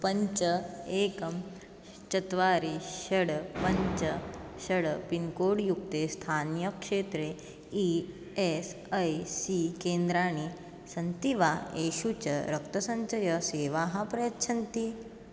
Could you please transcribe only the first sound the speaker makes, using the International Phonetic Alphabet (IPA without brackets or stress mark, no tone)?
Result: p